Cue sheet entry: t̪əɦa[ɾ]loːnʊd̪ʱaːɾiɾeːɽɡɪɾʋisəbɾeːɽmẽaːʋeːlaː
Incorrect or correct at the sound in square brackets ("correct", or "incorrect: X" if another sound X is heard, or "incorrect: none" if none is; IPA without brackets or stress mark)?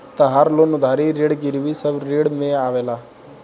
correct